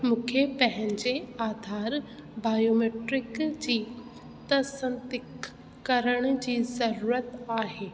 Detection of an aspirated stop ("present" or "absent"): present